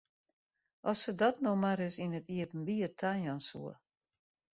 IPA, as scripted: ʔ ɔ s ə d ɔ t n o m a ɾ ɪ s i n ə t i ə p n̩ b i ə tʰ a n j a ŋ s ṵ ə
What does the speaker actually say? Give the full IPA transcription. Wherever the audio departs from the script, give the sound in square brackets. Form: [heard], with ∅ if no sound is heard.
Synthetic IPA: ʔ ɔ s ə d ɔ t n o m a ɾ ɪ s i n ə t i ə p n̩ b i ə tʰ a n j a [n] s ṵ ə